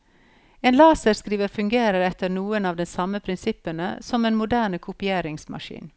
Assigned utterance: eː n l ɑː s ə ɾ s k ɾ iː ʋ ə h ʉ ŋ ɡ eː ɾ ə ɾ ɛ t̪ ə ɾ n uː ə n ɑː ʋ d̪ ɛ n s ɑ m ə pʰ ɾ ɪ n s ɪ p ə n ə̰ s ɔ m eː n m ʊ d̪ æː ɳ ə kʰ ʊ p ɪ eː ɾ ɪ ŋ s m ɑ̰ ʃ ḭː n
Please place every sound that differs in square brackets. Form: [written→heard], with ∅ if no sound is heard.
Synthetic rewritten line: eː n l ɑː s ə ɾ s k ɾ iː ʋ ə [h→f] ʉ ŋ ɡ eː ɾ ə ɾ ɛ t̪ ə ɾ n uː ə n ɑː ʋ d̪ ɛ n s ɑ m ə pʰ ɾ ɪ n s ɪ p ə n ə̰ s ɔ m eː n m ʊ d̪ æː ɳ ə kʰ ʊ p ɪ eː ɾ ɪ ŋ s m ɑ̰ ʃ ḭː n

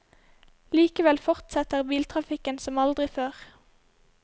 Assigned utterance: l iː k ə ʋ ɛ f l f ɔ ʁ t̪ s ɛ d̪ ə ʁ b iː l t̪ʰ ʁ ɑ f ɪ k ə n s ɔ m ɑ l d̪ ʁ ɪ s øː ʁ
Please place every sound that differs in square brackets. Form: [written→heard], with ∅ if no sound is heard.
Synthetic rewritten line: l iː k ə ʋ ɛ [f→∅] l f ɔ ʁ t̪ s ɛ [d̪→t̪] ə ʁ b iː l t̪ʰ ʁ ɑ f ɪ k ə n s ɔ m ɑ l d̪ ʁ ɪ [s→f] øː ʁ

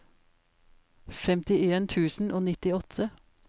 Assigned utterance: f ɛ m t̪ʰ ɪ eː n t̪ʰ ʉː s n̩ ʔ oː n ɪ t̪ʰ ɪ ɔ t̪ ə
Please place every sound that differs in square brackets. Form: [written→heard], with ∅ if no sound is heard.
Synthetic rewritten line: f ɛ m [t̪ʰ→t̪] ɪ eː n t̪ʰ ʉː s n̩ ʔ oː n ɪ [t̪ʰ→t̪] ɪ ɔ [t̪→t̪ʰ] ə

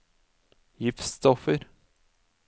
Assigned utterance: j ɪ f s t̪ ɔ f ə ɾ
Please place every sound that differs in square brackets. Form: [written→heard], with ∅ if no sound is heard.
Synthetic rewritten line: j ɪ f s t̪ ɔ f ə ɾ

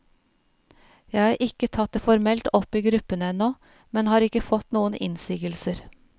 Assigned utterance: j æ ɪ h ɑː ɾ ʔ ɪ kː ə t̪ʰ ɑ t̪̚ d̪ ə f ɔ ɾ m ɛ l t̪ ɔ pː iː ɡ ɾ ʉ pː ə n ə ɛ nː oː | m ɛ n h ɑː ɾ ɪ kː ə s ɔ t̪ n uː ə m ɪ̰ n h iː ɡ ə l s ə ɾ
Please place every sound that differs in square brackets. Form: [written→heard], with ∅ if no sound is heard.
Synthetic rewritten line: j æ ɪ h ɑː ɾ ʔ ɪ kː ə t̪ʰ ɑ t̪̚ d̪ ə f ɔ ɾ m ɛ l t̪ ɔ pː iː ɡ ɾ ʉ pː ə n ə ɛ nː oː | m ɛ n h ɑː ɾ ɪ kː ə [s→f] ɔ t̪ n uː ə [m→n] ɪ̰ n [h→s] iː ɡ ə l s ə ɾ

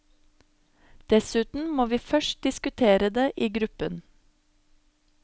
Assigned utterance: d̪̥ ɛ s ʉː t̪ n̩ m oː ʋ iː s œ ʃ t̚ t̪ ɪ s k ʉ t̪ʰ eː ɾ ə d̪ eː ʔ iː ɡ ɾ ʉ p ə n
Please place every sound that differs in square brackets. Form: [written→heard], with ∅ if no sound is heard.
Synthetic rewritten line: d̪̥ ɛ s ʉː t̪ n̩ m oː ʋ iː [s→f] œ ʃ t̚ [t̪→d̪] ɪ s k ʉ t̪ʰ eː ɾ ə d̪ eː ʔ iː ɡ ɾ ʉ p ə n

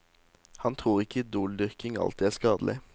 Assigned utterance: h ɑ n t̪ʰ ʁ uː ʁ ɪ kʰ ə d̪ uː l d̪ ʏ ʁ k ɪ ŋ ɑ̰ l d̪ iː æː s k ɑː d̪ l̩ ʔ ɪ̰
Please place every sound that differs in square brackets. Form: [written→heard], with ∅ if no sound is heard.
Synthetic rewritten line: h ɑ n t̪ʰ ʁ uː ʁ ɪ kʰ ə d̪ uː l d̪ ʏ ʁ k ɪ ŋ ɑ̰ l [d̪→t̪] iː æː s k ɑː d̪ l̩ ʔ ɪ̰

